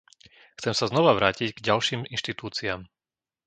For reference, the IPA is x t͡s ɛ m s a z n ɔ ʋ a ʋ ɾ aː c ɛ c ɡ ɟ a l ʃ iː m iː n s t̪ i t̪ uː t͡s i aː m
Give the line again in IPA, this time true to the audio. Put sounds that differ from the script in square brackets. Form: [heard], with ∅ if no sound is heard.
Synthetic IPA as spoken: x t͡s ɛ m s a z n ɔ ʋ a ʋ ɾ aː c [i] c ɡ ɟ a l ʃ iː m [i] n [ʃ] t̪ i t̪ uː t͡s i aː m